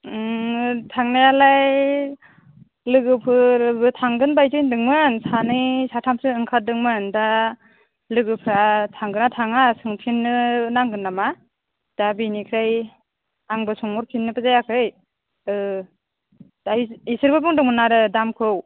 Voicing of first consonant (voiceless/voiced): voiceless